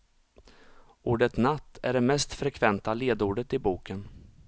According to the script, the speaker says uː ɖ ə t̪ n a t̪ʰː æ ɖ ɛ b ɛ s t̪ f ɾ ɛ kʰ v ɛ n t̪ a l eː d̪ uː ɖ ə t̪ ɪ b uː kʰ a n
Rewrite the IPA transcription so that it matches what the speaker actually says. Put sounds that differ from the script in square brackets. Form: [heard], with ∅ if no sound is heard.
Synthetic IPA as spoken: uː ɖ ə t̪ n a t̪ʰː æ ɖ ɛ [m] ɛ s t̪ f ɾ ɛ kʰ v ɛ n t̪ a l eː d̪ uː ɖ ə t̪ ɪ b uː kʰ [ə] n